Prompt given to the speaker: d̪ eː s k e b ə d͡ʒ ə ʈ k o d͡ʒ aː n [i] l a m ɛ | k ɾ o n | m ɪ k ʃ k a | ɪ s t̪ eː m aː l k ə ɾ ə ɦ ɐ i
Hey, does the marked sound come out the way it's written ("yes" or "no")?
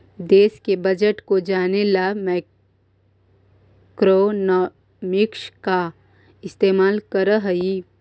no